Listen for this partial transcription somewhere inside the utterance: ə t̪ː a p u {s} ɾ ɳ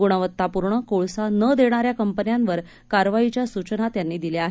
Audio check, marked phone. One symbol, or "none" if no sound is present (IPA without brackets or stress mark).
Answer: none